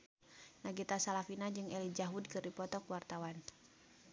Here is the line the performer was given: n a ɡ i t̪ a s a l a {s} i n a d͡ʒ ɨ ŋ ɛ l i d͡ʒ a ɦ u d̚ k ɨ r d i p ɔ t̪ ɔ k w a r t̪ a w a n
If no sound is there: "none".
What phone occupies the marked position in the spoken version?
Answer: f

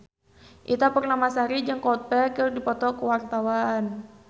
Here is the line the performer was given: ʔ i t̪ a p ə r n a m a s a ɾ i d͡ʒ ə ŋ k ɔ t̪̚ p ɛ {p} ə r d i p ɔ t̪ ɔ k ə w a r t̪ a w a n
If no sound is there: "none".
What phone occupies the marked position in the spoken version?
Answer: k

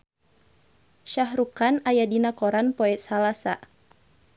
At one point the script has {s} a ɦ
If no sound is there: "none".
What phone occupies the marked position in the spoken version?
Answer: ʃ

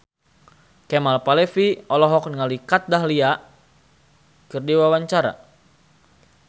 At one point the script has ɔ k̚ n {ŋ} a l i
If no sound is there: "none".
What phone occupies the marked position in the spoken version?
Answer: ŋ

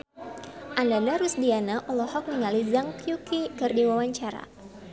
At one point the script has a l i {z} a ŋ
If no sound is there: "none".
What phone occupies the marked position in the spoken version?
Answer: z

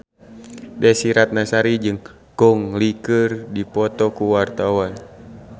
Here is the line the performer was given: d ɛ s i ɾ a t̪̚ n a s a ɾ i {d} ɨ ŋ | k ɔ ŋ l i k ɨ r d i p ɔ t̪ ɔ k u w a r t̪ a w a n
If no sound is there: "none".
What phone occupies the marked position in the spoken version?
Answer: d͡ʒ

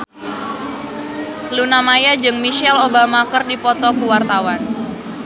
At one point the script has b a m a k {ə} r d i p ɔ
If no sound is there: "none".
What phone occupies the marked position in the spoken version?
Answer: ə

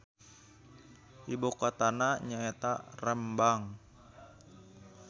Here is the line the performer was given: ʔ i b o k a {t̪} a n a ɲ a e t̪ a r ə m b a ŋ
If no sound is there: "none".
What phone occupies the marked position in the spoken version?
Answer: t̪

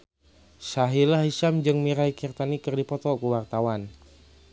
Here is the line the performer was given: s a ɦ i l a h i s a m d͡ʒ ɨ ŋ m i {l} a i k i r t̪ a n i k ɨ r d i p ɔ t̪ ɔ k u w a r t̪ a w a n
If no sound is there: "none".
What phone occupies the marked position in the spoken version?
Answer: ɾ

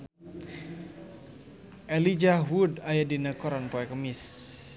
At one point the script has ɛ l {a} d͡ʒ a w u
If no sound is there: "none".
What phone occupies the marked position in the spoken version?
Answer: i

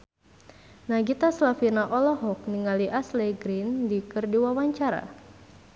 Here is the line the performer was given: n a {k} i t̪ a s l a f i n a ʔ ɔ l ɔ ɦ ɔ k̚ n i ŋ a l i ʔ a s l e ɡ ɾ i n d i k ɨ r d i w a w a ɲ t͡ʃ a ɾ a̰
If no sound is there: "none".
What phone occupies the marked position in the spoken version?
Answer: ɡ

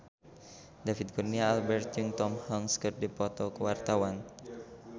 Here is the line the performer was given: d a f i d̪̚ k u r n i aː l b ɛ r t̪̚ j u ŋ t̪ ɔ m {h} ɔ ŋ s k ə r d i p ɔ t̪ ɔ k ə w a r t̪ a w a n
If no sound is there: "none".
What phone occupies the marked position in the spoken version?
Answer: h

